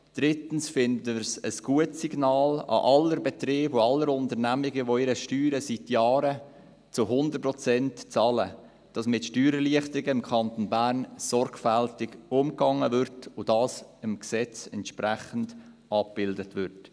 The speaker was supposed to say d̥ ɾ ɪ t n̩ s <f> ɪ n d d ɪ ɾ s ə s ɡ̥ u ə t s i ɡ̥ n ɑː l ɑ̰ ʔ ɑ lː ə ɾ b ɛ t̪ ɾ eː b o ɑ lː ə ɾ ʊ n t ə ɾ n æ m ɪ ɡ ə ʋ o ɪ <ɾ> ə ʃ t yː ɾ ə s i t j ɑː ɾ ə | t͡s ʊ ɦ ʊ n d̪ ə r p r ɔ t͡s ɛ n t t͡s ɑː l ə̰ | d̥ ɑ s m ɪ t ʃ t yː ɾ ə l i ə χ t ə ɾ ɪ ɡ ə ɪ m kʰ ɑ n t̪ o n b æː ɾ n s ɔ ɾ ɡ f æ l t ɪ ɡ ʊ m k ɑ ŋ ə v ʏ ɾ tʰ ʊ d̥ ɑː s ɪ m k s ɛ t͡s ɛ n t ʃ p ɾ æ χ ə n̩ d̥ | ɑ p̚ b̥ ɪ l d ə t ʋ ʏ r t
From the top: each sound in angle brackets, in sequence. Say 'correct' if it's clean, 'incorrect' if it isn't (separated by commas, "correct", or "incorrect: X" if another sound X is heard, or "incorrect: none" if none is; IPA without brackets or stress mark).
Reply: correct, correct